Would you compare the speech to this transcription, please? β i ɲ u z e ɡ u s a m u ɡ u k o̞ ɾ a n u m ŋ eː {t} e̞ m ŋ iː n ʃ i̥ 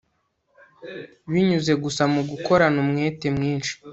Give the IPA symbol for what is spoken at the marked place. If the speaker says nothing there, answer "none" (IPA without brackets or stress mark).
t